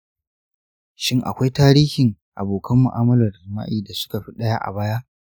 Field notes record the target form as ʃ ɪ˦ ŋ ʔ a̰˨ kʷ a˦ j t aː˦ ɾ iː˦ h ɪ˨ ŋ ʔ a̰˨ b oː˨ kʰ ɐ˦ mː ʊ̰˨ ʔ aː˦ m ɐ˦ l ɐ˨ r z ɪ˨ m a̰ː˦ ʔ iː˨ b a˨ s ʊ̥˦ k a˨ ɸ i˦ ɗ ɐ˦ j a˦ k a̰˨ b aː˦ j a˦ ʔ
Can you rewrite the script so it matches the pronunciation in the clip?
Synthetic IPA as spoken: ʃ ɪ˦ ŋ ʔ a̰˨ kʷ a˦ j t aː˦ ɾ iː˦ h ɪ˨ ŋ ʔ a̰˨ b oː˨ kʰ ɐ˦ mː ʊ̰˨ ʔ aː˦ m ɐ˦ l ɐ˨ r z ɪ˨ m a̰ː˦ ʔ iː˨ d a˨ s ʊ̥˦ k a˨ ɸ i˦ ɗ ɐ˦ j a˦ ʔ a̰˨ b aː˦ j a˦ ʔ